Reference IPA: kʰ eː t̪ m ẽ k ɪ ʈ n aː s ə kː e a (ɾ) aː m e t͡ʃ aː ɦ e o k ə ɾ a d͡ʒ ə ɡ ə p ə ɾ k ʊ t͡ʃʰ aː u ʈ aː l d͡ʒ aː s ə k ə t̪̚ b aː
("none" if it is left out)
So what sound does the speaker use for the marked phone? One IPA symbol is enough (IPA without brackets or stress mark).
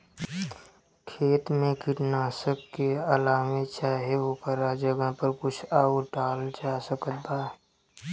l